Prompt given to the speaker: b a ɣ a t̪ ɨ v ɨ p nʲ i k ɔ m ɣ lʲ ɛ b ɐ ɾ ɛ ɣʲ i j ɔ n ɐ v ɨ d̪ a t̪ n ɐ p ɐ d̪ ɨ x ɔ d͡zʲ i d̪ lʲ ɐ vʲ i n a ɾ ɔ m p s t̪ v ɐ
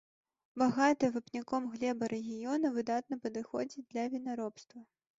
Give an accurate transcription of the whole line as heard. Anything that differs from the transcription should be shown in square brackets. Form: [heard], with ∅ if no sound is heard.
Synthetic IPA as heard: b a ɣ a t̪ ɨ v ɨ p nʲ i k ɔ m ɣ lʲ ɛ b ɐ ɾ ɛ ɣʲ i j ɔ n ɐ v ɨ d̪ a t̪ n ɐ p ɐ d̪ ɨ x ɔ d͡zʲ i d̪ lʲ ɐ vʲ i n a ɾ ɔ [∅] p s t̪ v ɐ

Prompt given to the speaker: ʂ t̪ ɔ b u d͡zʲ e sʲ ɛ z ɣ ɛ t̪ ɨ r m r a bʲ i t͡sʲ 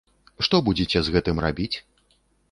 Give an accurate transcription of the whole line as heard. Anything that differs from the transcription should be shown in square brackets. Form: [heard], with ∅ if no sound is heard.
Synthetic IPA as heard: ʂ t̪ ɔ b u d͡zʲ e [t͡sʲ] ɛ z ɣ ɛ t̪ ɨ [∅] m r a bʲ i t͡sʲ

